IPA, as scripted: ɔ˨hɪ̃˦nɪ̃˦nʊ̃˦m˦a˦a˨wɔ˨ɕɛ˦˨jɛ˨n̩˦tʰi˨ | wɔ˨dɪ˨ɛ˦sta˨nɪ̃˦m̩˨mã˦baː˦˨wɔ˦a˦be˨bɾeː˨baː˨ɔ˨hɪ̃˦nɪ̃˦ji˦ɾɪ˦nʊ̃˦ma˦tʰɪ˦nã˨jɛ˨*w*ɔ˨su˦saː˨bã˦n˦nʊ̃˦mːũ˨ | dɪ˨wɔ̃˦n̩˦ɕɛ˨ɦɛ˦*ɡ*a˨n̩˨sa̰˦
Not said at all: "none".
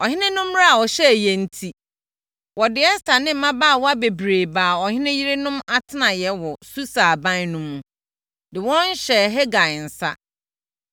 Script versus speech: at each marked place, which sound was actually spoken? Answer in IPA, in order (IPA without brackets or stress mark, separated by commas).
w, ɡ